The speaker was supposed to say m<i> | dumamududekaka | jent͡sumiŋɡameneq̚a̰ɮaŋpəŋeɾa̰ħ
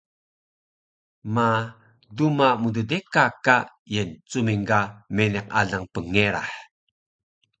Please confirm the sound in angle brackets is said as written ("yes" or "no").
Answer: no